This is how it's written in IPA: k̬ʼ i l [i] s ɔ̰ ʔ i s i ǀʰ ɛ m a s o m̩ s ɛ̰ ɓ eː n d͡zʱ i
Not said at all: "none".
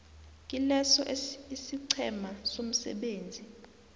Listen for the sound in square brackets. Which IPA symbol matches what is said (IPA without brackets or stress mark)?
ɛ